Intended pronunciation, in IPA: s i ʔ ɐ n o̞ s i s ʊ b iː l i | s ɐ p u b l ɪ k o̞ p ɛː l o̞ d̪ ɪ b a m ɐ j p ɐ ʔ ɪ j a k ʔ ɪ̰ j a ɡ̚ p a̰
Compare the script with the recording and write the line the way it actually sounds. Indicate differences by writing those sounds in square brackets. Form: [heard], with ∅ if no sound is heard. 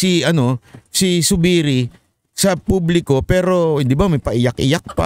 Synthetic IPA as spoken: s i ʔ ɐ n o̞ s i s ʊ b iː [ɾ] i | s ɐ p u b l ɪ k o̞ p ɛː [ɾ] o̞ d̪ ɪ b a m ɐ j p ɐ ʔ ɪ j a k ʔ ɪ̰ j a [k̚] p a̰